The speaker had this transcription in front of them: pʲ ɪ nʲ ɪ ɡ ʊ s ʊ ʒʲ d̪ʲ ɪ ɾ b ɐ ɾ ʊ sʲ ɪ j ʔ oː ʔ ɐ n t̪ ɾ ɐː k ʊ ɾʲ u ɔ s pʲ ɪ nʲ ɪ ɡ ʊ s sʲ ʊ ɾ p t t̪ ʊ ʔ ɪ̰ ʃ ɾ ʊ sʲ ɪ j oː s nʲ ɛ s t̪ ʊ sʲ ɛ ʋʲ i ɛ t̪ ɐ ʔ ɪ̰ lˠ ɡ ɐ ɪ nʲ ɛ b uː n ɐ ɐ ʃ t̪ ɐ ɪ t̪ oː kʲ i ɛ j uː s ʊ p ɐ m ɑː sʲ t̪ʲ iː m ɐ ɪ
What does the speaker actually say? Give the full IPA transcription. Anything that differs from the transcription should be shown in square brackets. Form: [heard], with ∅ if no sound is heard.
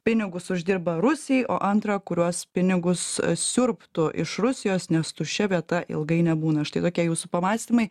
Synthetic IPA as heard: pʲ ɪ nʲ ɪ ɡ ʊ s ʊ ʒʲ d̪ʲ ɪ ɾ b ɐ ɾ ʊ sʲ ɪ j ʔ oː ʔ ɐ n t̪ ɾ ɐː k ʊ ɾʲ u ɔ s pʲ ɪ nʲ ɪ ɡ ʊ s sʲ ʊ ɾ p t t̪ ʊ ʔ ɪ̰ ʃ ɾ ʊ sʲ ɪ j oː s nʲ ɛ s t̪ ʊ [ʃʲ] ɛ ʋʲ i ɛ t̪ ɐ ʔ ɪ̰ lˠ ɡ ɐ ɪ nʲ ɛ b uː n ɐ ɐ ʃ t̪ ɐ ɪ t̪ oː kʲ i ɛ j uː s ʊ p ɐ m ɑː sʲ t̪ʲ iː m ɐ ɪ